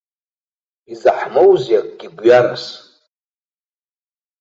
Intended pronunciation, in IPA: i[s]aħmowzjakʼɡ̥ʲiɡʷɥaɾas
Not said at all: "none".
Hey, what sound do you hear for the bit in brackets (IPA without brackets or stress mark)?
z